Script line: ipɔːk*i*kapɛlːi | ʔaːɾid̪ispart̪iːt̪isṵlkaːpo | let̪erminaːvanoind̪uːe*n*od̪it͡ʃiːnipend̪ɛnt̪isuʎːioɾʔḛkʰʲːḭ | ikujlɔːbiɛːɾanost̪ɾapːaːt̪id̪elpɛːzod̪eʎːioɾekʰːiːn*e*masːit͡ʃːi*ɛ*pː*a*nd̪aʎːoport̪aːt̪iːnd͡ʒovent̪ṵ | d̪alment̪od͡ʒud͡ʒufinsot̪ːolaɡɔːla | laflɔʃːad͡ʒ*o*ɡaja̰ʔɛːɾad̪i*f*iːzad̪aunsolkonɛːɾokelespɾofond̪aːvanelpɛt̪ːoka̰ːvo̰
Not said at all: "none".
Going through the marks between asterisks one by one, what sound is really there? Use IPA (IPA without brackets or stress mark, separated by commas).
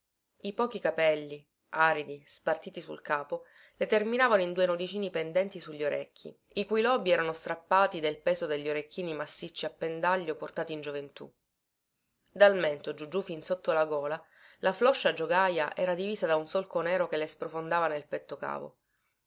i, n, i, a, e, o, v